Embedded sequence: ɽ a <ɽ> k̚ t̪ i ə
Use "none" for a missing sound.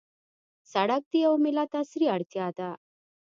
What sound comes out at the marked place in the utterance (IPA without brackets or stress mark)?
none